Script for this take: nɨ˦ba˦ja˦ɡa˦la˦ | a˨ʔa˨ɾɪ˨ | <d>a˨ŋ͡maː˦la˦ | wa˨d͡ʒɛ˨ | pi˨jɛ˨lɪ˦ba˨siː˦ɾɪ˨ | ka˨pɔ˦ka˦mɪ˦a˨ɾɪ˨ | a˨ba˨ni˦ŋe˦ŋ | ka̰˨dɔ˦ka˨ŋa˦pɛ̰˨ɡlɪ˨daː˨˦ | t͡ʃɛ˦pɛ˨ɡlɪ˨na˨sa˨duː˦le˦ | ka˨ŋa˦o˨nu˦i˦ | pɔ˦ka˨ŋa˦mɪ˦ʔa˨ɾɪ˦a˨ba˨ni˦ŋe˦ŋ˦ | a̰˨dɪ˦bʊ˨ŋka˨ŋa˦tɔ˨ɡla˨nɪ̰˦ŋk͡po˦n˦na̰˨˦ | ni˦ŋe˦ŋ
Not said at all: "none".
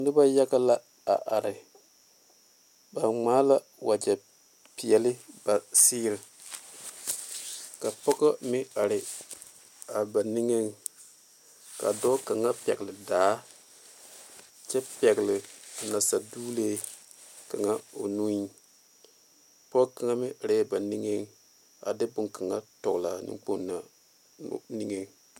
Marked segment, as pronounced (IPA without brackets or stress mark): b